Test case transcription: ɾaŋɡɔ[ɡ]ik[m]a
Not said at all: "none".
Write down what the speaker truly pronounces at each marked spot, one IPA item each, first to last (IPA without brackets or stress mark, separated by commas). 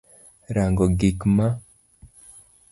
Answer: ɡ, m